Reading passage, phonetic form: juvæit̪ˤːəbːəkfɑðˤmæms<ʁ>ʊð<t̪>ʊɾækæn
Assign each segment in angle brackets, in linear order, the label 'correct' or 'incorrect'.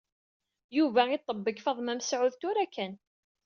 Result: incorrect: ʕ, correct

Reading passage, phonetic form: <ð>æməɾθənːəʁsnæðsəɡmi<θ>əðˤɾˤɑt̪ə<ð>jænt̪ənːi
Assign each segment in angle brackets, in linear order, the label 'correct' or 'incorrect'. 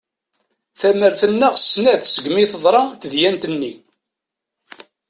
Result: incorrect: θ, correct, correct

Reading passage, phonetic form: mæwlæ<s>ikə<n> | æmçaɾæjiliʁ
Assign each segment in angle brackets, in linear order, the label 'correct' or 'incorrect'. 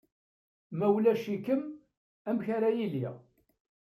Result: incorrect: ʃ, incorrect: m

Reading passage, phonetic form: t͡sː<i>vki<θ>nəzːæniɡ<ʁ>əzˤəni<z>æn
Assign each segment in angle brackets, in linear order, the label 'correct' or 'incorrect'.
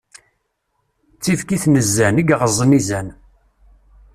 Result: correct, correct, correct, correct

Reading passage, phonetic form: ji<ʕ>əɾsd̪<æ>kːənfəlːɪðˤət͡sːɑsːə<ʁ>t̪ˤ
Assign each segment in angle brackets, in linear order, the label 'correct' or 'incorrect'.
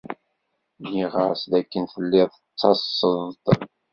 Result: incorrect: ʁ, correct, incorrect: ð

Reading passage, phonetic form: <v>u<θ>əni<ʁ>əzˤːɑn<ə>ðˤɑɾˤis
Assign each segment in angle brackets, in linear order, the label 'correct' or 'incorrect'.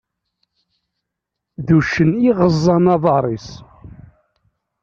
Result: incorrect: ð, incorrect: ʃ, correct, incorrect: ɑ

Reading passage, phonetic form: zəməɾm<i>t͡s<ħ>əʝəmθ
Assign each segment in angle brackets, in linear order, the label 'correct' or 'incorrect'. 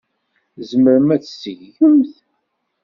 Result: incorrect: æ, incorrect: s

